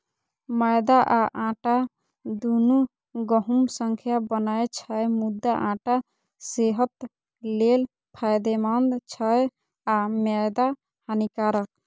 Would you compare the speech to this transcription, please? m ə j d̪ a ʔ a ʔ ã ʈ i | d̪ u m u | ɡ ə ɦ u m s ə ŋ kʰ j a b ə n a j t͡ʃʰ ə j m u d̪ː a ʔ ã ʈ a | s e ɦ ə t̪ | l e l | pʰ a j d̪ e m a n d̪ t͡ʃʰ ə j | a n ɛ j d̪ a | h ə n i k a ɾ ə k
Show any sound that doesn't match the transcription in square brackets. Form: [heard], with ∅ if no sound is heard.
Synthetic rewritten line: m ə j d̪ a ʔ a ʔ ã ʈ [a] | d̪ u [n] u | ɡ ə ɦ u m s ə ŋ kʰ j a b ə n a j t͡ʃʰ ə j m u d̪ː a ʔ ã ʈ a | s e ɦ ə t̪ | l e l | pʰ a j d̪ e m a n d̪ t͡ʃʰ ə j | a [m] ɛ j d̪ a | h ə n i k a ɾ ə k

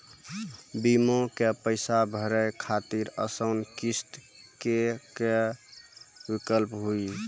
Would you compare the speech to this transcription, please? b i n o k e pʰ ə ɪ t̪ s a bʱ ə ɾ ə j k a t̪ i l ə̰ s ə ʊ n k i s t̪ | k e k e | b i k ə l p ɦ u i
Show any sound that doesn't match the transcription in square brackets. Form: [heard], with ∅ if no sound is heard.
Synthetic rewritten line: b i [m] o k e [p] ə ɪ [∅] s a bʱ ə ɾ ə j [kʰ] a t̪ i [ɾ] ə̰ s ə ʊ n k i s t̪ | k e k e | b i k ə l p ɦ u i

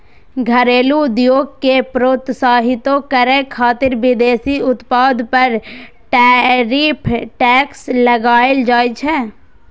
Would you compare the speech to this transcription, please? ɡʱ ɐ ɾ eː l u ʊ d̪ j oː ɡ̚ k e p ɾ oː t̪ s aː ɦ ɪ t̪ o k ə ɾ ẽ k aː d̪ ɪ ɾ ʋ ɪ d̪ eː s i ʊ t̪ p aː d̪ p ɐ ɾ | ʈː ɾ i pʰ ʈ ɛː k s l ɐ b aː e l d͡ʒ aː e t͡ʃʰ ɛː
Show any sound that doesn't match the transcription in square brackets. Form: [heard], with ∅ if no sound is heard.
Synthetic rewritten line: ɡʱ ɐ ɾ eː l u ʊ d̪ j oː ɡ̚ k e p ɾ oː t̪ s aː ɦ ɪ t̪ o k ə ɾ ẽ [kʰ] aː [t̪] ɪ ɾ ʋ ɪ d̪ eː s i ʊ t̪ p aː d̪ p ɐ ɾ | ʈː ɾ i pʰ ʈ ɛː k s l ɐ [ɡ] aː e l d͡ʒ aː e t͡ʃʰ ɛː

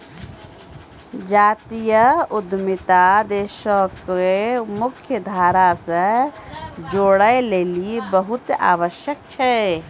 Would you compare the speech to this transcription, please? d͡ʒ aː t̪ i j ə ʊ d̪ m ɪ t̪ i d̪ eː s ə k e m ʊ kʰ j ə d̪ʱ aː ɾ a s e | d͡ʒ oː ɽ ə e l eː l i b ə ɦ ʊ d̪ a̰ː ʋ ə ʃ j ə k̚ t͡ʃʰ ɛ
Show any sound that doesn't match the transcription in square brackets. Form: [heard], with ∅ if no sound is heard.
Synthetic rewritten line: d͡ʒ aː t̪ i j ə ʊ d̪ m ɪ t̪ [a] d̪ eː [ʃ] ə k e m ʊ kʰ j ə d̪ʱ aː ɾ a s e | d͡ʒ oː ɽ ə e l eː l i b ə ɦ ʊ [t̪] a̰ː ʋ ə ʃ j ə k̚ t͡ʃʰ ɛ

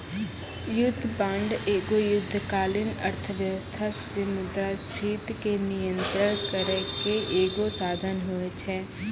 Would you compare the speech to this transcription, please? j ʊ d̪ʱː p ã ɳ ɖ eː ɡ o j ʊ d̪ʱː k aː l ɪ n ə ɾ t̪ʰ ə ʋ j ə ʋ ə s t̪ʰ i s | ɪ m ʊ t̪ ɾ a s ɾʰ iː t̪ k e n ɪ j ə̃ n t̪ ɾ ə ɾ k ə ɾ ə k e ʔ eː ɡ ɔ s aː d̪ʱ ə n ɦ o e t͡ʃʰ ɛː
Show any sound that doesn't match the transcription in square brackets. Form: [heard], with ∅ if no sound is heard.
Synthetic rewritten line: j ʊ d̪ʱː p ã ɳ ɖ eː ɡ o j ʊ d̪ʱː k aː l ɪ n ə ɾ t̪ʰ ə ʋ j ə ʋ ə s t̪ʰ [a] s | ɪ m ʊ [d̪] ɾ a s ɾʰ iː t̪ k e n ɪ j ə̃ n t̪ ɾ ə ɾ k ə ɾ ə k e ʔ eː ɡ [o] s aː d̪ʱ ə n ɦ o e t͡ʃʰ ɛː

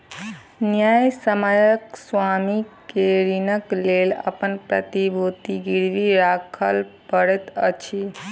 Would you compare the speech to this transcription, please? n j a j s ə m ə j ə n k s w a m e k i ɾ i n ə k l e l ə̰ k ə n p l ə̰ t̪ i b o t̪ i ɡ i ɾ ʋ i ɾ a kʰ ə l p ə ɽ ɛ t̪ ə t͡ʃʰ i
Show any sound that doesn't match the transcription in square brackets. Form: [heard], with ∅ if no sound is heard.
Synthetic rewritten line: n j a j s ə m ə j ə [∅] k s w a m [i] k [e] ɾ i n ə k l e l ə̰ [p] ə n p [ɾ] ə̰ t̪ i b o t̪ i ɡ i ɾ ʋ i ɾ a kʰ ə l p ə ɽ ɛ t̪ ə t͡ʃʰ i

